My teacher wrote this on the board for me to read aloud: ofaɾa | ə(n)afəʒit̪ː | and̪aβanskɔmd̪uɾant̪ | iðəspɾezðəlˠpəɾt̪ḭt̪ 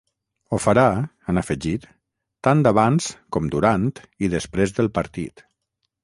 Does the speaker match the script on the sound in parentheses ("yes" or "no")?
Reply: yes